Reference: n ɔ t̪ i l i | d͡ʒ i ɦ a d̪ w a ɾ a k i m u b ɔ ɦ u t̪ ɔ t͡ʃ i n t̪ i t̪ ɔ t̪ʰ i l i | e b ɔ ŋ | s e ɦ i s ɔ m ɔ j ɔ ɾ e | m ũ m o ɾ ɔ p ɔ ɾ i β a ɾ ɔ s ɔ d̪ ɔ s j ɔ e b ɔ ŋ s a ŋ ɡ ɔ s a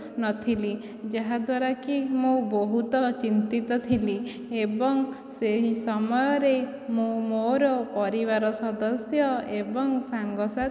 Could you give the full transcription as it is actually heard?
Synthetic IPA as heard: n ɔ t̪ʰ i l i | d͡ʒ a ɦ a d̪ w a ɾ a k i m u b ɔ ɦ u t̪ ɔ t͡ʃ i n t̪ i t̪ ɔ t̪ʰ i l i | e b ɔ ŋ | s e ɦ i s ɔ m ɔ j ɔ ɾ e | m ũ m o ɾ ɔ p ɔ ɾ i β a ɾ ɔ s ɔ d̪ ɔ s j ɔ e b ɔ ŋ s a ŋ ɡ ɔ s a